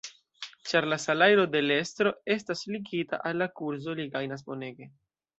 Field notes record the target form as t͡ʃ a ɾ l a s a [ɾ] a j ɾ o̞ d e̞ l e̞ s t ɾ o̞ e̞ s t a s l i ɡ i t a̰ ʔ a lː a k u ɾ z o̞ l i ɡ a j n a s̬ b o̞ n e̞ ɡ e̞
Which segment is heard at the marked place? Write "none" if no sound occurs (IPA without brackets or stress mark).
l